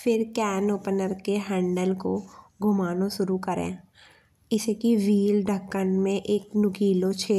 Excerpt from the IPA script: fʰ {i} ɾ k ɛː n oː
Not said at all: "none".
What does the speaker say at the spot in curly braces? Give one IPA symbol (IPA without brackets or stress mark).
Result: ɪ